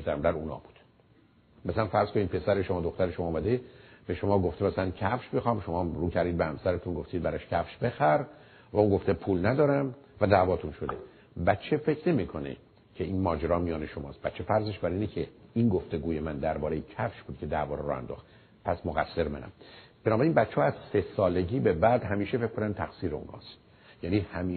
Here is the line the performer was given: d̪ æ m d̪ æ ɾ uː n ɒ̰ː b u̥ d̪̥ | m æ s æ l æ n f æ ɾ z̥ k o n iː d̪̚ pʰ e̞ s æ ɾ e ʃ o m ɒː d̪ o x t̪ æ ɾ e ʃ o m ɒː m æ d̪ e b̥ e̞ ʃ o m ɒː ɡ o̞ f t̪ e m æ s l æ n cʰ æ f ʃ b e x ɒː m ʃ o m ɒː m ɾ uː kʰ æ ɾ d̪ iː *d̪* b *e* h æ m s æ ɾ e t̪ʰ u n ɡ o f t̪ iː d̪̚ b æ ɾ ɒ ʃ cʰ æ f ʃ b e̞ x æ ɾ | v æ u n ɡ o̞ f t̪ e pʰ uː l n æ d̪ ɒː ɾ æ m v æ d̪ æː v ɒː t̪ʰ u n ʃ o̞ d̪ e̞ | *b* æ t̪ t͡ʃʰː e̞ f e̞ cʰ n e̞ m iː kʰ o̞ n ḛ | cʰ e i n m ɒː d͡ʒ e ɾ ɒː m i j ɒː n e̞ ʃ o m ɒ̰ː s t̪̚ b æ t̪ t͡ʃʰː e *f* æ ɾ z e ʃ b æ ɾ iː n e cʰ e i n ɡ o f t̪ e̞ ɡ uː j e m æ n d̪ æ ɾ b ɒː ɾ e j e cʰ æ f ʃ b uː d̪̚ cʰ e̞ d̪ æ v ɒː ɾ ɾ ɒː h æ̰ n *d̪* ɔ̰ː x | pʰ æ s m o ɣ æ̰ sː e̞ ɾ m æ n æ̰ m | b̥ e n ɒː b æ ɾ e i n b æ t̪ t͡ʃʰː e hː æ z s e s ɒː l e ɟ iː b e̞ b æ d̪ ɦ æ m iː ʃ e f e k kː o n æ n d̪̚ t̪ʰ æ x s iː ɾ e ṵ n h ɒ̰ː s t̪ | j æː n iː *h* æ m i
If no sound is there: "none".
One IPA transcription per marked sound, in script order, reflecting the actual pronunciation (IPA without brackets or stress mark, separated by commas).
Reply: d̪, e, b, f, d̪, h